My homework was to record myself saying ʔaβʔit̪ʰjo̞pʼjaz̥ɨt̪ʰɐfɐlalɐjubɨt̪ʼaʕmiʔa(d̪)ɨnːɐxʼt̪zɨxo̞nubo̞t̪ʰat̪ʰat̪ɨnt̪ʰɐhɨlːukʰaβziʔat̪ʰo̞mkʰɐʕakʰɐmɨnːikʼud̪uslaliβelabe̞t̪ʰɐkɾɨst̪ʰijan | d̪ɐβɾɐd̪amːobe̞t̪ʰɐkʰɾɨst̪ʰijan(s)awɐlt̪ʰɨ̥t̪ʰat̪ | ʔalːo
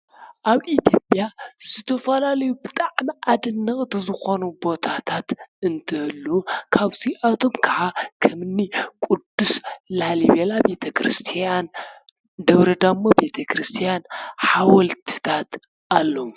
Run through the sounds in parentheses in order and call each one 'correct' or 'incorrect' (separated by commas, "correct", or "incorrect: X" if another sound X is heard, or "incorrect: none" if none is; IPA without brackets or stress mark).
correct, incorrect: ħ